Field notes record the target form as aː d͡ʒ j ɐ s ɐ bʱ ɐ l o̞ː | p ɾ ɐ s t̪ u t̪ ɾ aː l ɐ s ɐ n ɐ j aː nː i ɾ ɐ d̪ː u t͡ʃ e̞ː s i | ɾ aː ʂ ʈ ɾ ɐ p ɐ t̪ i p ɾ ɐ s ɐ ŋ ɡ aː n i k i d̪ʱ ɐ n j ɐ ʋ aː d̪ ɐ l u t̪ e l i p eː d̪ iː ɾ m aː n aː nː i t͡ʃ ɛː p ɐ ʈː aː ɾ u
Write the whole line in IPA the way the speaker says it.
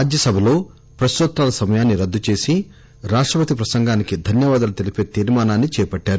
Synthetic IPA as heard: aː d͡ʒ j ɐ s ɐ bʱ ɐ l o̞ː | p ɾ ɐ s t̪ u t̪ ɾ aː l ɐ s ɐ m ɐ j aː nː i ɾ ɐ d̪ː u t͡ʃ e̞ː s i | ɾ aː ʂ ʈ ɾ ɐ p ɐ t̪ i p ɾ ɐ s ɐ ŋ ɡ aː n i k i d̪ʱ ɐ n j ɐ ʋ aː d̪ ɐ l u t̪ e l i p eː t̪ iː ɾ m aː n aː nː i t͡ʃ ɛː p ɐ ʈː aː ɾ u